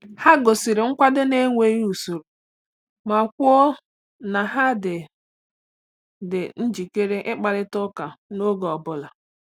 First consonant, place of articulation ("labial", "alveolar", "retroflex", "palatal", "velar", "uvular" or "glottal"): glottal